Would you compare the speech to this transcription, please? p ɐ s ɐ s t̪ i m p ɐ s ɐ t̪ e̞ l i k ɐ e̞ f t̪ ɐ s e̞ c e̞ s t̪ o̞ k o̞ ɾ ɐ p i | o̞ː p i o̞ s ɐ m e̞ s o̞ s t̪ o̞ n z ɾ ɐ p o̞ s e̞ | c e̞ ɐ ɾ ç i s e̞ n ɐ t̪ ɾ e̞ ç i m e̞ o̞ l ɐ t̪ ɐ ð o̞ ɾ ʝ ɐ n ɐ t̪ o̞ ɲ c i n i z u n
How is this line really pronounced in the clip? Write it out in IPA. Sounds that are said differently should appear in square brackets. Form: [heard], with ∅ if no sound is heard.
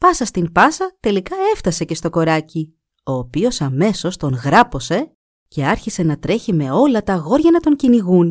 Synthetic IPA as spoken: p ɐ s ɐ s t̪ i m p ɐ s ɐ t̪ e̞ l i k ɐ e̞ f t̪ ɐ s e̞ c e̞ s t̪ o̞ k o̞ ɾ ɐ [c] i | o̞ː p i o̞ s ɐ m e̞ s o̞ s t̪ o̞ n [ɣ] ɾ ɐ p o̞ s e̞ | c e̞ ɐ ɾ ç i s e̞ n ɐ t̪ ɾ e̞ ç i m e̞ o̞ l ɐ t̪ ɐ [ɣ] o̞ ɾ ʝ ɐ n ɐ t̪ o̞ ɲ c i n i [ɣ] u n